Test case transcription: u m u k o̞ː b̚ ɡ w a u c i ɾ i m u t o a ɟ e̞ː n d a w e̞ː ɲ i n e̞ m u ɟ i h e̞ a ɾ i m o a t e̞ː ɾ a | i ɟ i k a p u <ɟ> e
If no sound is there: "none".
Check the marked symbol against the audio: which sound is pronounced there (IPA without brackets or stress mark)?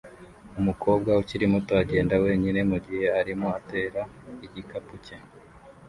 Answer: c